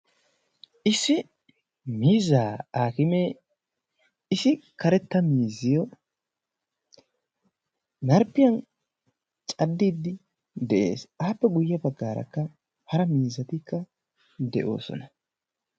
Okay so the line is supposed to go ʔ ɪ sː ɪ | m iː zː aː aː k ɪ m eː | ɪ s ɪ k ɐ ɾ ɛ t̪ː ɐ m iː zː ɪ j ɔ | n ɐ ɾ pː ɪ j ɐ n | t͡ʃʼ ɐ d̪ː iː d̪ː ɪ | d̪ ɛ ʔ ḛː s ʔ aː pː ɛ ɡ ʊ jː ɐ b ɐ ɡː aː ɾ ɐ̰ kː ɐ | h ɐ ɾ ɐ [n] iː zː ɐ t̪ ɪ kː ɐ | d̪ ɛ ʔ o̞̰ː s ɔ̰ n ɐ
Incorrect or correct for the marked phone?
incorrect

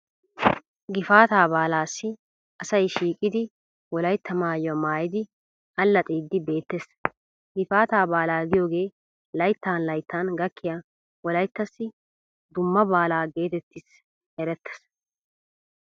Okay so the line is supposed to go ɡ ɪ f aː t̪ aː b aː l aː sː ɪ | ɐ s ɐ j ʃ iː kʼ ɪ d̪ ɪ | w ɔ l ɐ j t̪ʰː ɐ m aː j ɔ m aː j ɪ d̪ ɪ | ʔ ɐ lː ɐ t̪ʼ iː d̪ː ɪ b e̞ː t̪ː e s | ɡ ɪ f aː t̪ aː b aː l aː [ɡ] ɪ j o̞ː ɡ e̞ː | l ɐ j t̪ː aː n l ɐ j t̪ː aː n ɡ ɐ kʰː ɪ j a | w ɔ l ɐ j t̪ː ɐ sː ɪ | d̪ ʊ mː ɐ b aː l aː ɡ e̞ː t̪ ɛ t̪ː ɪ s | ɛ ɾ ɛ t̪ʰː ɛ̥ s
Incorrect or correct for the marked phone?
correct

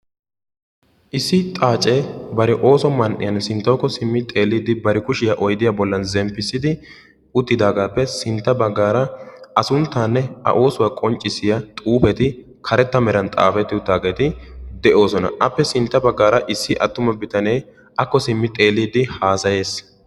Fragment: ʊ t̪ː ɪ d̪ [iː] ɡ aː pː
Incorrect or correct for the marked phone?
incorrect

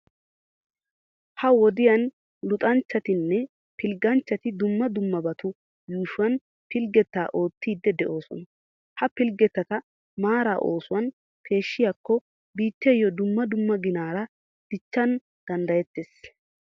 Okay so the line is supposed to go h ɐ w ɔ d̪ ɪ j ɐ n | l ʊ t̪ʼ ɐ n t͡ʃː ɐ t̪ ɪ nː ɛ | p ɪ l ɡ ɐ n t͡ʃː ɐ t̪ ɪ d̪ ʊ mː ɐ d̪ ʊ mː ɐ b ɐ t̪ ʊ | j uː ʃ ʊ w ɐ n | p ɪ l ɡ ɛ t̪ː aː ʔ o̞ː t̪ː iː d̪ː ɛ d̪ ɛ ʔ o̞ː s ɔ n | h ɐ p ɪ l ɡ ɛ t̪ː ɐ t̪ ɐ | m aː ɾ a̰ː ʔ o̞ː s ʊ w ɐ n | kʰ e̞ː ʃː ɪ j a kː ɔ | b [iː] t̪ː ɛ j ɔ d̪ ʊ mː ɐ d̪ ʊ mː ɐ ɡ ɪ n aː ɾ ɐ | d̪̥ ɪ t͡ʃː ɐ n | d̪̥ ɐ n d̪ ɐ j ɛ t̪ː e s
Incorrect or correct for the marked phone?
correct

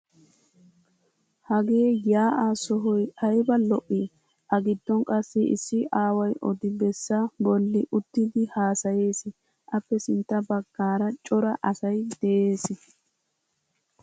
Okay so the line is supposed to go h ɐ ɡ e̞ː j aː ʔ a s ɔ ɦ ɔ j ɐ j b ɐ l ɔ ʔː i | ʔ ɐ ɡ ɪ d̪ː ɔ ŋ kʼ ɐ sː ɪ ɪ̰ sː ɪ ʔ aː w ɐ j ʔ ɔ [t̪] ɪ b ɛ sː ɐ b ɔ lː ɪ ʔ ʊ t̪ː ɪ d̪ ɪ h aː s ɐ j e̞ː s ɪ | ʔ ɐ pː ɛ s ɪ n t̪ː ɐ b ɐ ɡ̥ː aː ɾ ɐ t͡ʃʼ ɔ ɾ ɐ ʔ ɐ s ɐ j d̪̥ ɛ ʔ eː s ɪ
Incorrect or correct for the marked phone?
incorrect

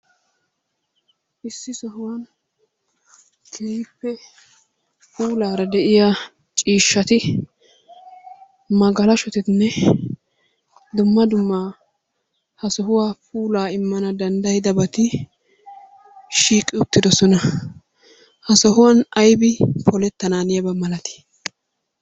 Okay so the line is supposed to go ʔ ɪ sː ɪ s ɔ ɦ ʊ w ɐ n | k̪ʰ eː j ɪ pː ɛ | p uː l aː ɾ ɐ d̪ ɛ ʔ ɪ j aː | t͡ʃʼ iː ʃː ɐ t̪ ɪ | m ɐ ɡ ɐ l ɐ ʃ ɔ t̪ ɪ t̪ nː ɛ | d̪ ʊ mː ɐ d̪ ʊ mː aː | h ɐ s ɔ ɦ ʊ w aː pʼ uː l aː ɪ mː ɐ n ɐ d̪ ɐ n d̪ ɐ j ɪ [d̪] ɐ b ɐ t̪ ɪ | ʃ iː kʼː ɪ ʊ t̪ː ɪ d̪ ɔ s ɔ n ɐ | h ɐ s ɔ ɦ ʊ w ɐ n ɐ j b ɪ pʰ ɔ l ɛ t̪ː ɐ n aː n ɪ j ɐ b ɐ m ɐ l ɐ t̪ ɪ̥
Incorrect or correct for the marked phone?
correct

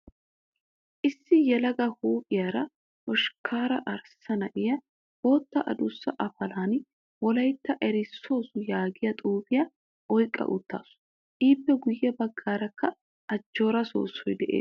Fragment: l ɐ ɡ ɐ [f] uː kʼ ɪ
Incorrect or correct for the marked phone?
incorrect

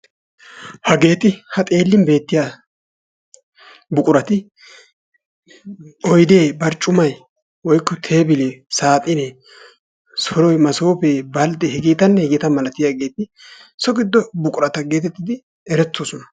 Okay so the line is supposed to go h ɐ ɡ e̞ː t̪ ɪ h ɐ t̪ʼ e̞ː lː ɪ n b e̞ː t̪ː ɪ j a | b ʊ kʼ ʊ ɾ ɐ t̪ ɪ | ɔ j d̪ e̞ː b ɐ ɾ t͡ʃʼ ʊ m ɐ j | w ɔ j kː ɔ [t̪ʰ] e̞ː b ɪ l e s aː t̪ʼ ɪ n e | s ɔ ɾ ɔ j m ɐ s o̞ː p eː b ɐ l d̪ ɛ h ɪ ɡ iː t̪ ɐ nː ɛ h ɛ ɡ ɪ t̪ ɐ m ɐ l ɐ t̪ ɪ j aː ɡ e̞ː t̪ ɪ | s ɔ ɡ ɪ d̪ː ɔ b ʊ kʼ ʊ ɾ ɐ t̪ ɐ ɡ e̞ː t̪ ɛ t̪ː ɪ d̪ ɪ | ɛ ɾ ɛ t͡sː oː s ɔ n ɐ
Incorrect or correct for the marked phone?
correct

